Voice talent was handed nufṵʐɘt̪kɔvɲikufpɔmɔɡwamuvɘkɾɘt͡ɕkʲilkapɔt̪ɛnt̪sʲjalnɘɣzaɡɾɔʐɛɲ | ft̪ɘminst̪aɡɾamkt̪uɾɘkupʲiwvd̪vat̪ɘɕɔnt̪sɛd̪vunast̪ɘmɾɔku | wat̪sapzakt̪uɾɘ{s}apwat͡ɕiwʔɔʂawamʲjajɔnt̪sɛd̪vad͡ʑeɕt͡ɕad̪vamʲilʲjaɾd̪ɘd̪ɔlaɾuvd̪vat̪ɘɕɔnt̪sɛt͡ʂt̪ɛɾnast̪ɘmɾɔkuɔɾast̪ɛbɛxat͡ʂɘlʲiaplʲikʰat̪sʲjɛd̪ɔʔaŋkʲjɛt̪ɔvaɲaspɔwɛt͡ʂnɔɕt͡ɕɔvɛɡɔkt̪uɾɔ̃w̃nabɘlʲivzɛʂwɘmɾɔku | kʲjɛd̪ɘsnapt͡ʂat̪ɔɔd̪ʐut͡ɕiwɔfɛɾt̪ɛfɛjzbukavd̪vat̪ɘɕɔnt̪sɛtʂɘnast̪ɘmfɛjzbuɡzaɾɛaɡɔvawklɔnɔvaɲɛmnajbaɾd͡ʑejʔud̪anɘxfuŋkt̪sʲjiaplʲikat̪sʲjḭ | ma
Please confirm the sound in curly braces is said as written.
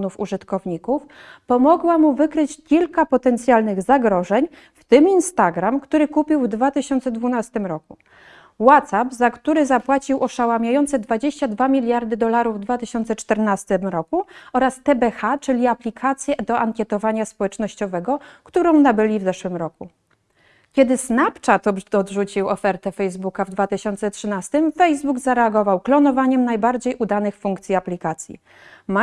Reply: no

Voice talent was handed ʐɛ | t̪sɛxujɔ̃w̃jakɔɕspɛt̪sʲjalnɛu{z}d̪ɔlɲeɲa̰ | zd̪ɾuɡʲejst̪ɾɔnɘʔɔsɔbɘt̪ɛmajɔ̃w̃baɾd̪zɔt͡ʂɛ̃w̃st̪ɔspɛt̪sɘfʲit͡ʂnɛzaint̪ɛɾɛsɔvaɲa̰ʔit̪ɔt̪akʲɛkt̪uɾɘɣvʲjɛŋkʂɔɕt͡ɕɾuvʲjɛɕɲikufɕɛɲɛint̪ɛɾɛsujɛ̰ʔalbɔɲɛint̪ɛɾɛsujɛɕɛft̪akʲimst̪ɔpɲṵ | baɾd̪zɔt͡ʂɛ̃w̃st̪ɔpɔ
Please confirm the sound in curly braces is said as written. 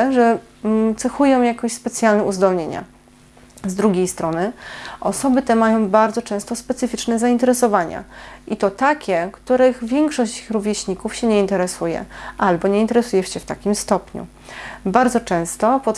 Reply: yes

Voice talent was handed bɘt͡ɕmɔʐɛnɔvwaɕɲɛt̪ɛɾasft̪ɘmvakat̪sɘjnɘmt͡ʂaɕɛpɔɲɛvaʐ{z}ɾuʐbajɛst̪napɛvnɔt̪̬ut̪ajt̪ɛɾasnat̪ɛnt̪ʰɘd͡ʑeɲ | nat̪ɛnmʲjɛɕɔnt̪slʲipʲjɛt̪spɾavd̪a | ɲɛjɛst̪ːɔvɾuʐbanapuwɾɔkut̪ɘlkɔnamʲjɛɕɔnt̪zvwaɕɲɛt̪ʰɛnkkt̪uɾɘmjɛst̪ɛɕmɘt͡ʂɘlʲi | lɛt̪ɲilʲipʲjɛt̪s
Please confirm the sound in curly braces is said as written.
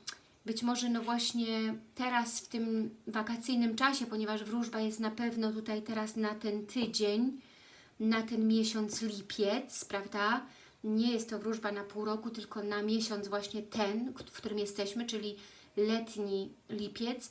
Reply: no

